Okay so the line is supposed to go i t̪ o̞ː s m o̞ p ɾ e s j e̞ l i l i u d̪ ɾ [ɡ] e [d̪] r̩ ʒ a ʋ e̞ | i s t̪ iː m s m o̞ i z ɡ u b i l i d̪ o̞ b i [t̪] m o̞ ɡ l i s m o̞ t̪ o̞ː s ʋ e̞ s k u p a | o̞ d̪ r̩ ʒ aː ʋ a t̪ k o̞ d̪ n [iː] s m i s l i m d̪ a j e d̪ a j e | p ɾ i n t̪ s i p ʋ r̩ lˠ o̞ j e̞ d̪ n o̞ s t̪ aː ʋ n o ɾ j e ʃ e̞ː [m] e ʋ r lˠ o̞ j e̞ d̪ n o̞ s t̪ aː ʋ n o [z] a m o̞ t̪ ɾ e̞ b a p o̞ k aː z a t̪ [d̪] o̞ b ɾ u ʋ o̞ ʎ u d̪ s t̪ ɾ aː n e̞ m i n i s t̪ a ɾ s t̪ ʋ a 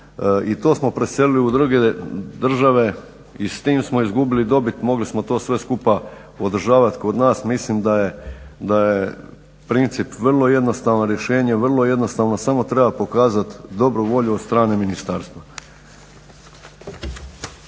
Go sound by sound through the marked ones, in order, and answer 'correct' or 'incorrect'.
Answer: correct, correct, correct, incorrect: aː, incorrect: ɲ, incorrect: s, correct

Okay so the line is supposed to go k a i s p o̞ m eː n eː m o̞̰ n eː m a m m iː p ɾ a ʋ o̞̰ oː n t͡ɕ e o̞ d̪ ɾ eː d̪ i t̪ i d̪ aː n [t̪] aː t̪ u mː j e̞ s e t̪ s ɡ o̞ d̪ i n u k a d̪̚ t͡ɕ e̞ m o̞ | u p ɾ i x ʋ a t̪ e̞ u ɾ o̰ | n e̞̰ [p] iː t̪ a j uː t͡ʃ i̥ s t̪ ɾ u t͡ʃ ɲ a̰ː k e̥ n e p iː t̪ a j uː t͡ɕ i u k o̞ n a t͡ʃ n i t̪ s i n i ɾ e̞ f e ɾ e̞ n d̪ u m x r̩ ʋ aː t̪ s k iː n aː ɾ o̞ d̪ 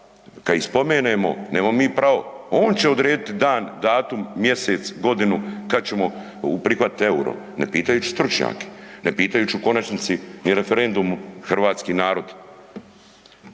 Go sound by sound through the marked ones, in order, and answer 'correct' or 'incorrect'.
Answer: incorrect: d̪, correct

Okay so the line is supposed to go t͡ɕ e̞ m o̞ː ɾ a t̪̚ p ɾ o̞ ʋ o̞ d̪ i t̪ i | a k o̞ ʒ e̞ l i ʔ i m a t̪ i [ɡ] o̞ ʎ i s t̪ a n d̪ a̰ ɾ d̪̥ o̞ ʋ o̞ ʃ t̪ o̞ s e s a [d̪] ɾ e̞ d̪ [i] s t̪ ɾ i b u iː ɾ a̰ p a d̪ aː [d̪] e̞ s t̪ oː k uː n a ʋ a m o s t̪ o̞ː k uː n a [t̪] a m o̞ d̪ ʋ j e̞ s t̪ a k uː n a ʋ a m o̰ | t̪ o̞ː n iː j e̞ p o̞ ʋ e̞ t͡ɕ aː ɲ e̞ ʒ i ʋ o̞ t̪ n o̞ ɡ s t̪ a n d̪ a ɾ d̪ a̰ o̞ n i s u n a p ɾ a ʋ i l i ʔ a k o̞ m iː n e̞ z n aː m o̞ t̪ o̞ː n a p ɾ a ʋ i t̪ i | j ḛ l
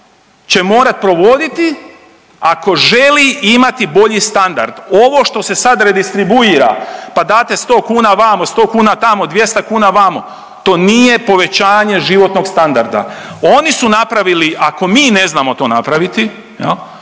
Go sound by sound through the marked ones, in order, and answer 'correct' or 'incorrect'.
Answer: incorrect: b, correct, correct, incorrect: t̪, correct

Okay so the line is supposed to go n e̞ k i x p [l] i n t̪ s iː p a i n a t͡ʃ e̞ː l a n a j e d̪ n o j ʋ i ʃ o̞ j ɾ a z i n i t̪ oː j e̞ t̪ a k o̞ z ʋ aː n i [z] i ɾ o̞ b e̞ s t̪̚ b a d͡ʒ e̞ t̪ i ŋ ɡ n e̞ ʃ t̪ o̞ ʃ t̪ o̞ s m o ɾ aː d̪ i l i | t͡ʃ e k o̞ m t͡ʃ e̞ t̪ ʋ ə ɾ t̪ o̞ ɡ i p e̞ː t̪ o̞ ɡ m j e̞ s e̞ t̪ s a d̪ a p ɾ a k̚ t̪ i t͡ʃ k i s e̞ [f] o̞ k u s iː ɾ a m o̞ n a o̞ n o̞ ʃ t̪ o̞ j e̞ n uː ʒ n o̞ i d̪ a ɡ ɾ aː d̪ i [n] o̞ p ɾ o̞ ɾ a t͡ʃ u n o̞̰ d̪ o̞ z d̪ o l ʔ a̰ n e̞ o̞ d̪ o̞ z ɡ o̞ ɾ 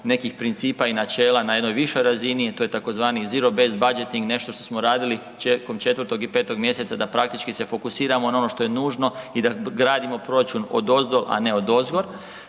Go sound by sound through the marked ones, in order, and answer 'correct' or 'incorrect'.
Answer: incorrect: ɾ, correct, correct, incorrect: m

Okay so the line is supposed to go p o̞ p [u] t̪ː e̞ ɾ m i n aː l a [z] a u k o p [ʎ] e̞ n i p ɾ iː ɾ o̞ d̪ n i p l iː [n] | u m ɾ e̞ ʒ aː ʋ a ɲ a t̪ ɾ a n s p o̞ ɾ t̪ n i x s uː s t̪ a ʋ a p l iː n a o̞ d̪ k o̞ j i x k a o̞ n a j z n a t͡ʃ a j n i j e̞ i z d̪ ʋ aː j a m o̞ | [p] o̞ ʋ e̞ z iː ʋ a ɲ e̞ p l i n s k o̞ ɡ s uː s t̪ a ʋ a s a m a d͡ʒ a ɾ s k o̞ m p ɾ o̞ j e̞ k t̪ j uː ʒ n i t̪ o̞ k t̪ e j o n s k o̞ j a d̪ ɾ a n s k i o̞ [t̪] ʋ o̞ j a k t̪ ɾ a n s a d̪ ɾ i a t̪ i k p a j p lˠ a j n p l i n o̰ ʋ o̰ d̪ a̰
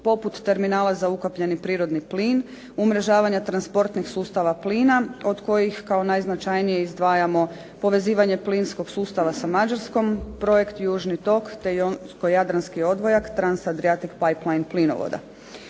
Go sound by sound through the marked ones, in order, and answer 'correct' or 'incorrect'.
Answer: correct, correct, correct, correct, correct, incorrect: d̪

